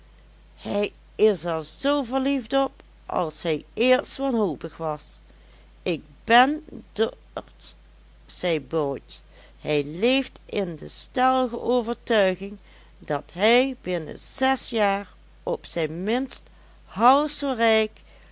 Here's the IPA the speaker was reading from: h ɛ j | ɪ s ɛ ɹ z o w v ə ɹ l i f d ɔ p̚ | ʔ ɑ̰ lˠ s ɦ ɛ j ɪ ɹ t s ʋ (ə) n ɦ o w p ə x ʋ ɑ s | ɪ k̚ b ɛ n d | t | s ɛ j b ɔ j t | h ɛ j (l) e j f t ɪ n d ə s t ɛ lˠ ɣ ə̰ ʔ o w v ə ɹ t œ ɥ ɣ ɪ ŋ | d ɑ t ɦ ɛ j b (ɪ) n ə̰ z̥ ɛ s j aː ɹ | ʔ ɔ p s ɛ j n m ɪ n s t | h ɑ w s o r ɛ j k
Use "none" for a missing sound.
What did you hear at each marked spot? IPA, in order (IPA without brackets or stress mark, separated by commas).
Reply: ɑ, l, ɪ